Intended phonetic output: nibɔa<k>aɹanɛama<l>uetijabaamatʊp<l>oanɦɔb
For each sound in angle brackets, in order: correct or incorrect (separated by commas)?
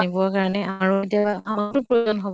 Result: correct, incorrect, incorrect